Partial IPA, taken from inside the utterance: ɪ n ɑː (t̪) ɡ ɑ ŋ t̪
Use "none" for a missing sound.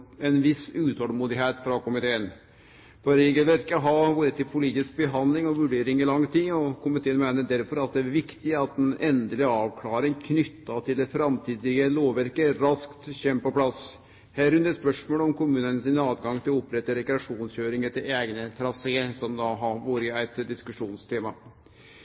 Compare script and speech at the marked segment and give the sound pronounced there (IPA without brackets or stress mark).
d̪